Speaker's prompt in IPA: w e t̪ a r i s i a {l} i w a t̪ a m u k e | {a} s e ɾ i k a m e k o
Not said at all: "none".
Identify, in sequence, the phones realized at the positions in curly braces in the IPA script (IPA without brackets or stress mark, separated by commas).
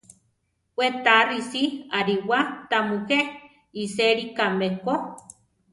ɾ, i